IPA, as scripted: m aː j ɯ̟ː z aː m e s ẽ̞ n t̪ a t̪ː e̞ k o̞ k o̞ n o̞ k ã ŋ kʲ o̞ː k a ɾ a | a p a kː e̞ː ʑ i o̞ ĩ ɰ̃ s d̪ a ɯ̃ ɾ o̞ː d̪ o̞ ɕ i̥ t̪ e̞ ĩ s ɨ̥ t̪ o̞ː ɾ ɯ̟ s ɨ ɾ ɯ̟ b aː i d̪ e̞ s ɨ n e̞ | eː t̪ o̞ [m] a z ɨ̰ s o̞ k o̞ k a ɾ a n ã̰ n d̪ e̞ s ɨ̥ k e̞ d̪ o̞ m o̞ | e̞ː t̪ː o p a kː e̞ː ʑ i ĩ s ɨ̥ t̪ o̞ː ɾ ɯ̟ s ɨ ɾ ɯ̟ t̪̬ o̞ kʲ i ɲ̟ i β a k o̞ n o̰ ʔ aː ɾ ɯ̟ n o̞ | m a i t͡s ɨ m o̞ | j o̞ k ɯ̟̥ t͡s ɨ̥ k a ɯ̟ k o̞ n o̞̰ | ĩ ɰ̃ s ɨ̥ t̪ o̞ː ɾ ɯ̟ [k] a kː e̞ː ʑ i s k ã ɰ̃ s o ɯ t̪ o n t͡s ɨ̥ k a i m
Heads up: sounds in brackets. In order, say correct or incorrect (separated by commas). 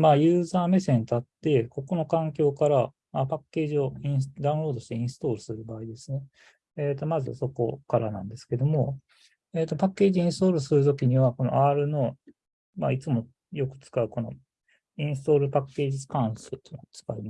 correct, incorrect